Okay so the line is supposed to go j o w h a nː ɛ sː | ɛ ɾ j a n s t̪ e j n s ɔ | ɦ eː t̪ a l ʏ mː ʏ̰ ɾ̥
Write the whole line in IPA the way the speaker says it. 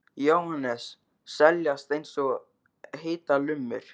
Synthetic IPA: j o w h a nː ɛ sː | ɛ l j a s t̪ e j n s ɔ | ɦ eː t̪ a l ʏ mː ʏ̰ ɾ̥